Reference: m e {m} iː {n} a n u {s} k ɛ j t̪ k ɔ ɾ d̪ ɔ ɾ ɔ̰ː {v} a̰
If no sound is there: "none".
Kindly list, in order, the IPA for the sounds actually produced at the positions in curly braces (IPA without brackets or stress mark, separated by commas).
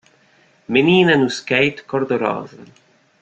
n, n, s, z